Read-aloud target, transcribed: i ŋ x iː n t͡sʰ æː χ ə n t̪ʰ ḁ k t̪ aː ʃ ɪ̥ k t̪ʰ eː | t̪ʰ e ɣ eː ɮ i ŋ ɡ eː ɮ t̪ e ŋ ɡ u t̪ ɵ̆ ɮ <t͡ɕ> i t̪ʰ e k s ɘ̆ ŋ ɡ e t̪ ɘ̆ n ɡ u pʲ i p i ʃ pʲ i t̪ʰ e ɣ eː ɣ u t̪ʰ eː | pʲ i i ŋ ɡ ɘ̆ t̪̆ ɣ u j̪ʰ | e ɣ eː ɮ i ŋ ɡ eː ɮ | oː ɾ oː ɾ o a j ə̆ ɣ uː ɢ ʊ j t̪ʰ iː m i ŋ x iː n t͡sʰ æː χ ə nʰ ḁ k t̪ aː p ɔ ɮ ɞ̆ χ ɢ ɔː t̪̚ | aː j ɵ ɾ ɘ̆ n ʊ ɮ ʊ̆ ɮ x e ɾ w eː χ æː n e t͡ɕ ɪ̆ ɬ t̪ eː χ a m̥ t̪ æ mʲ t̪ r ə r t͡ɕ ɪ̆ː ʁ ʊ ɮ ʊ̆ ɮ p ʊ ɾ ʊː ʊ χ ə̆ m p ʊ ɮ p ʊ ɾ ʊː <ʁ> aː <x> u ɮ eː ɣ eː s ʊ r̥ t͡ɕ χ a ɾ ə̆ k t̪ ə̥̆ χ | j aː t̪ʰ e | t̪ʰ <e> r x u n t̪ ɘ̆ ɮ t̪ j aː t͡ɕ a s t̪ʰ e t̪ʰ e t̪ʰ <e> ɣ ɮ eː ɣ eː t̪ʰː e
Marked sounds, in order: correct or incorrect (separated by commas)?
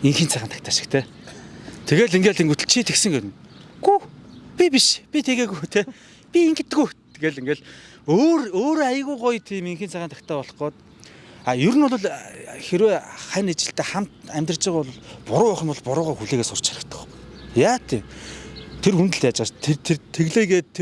incorrect, correct, correct, correct, correct